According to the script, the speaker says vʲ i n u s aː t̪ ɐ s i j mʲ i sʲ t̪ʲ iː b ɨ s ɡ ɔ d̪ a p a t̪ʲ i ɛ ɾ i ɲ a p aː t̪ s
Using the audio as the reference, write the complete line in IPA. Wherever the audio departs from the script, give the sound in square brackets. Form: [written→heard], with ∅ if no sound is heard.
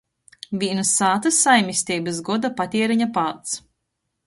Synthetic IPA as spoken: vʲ i n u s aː t̪ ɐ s [i→a] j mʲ i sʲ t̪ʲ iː b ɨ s ɡ ɔ d̪ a p a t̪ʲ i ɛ ɾ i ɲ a p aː t̪ s